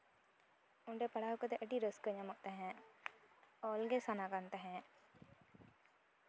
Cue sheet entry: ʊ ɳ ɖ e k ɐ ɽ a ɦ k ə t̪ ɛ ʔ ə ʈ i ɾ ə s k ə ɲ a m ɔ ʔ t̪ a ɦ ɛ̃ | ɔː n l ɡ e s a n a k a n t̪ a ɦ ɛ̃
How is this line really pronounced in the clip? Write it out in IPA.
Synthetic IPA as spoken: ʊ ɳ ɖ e p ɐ ɽ a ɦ k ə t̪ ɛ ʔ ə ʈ i ɾ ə s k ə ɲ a m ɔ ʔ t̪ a ɦ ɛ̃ | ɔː l ɡ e s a n a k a n t̪ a ɦ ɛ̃